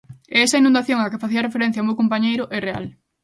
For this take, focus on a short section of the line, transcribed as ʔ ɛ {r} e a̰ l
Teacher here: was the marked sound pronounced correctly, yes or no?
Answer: yes